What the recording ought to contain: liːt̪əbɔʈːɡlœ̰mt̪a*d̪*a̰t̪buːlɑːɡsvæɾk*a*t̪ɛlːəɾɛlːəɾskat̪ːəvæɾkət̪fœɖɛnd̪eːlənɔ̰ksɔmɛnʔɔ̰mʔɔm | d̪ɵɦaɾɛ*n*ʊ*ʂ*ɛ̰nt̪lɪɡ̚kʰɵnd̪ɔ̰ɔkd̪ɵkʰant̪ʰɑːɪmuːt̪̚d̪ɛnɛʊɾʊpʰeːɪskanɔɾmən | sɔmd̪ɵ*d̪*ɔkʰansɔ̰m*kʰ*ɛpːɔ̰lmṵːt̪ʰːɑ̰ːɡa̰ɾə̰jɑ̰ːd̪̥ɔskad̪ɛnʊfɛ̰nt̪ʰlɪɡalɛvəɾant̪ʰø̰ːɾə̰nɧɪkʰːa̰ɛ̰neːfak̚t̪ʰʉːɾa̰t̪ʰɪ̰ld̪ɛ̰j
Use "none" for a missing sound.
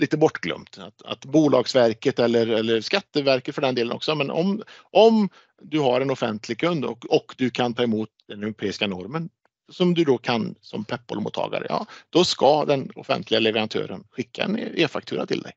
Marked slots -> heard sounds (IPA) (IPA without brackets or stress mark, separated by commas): t̪, ə, n, f, d̪, pʰ